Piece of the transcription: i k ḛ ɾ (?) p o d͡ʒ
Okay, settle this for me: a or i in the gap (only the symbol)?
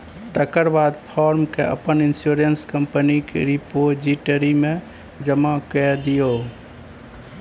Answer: i